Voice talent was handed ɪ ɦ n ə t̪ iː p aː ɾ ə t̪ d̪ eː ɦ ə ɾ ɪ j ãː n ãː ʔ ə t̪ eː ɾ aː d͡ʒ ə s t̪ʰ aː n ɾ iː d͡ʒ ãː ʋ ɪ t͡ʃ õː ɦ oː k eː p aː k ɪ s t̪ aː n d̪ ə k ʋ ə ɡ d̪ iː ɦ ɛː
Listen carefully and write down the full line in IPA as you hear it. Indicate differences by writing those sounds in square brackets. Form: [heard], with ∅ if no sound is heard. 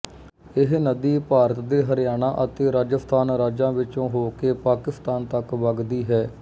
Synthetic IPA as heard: ɪ ɦ n ə [d̪] iː p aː ɾ ə t̪ d̪ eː ɦ ə ɾ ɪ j [aː] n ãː ʔ ə t̪ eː ɾ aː d͡ʒ ə s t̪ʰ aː n ɾ [aː] d͡ʒ ãː ʋ ɪ t͡ʃ õː ɦ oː k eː p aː k ɪ s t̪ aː n [t̪] ə k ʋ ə ɡ d̪ iː ɦ ɛː